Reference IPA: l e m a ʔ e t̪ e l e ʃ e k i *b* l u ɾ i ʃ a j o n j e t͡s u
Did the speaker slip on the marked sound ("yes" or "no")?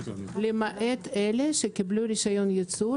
no